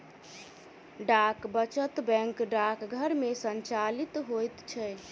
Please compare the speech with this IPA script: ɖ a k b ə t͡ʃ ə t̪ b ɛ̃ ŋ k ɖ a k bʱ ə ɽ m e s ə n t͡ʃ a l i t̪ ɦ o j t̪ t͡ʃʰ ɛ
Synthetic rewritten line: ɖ a k b ə t͡ʃ ə t̪ b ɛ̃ ŋ k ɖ a k ɡʱ ə ɾ m e s ə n t͡ʃ a l i t̪ ɦ o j t̪ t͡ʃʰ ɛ